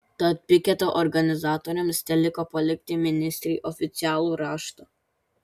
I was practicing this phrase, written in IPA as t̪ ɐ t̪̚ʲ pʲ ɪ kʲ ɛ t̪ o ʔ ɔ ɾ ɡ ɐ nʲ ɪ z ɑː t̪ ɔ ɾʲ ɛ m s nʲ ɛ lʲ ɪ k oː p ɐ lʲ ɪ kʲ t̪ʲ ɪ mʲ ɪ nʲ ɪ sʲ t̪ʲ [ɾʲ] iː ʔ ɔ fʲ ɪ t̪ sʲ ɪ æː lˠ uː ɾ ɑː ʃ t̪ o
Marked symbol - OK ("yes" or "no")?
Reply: yes